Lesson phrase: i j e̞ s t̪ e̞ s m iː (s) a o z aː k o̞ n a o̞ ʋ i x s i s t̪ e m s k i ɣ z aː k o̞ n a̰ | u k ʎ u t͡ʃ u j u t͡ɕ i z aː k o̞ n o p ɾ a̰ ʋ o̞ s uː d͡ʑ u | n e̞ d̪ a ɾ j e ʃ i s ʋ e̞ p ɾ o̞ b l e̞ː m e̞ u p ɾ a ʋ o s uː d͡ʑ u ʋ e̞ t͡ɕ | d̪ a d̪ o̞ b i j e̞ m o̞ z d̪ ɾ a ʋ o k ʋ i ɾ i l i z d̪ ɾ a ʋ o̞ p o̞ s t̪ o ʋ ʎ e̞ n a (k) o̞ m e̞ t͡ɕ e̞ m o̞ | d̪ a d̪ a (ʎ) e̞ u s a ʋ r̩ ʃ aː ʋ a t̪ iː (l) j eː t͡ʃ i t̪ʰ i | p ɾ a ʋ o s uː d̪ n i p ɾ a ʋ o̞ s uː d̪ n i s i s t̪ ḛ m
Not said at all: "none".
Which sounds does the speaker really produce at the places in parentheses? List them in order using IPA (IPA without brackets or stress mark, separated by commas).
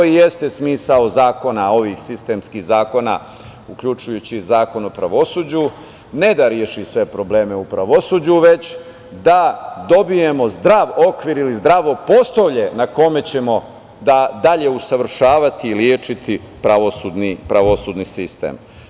s, k, ʎ, l